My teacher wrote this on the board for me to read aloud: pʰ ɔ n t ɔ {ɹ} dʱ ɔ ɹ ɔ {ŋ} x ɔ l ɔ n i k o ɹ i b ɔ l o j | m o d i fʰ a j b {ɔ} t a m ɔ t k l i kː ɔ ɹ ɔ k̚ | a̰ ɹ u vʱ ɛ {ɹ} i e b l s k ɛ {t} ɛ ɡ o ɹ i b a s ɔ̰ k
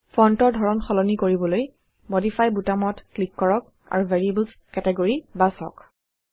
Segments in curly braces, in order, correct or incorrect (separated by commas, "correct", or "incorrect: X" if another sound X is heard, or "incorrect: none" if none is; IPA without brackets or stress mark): correct, incorrect: n, incorrect: u, correct, correct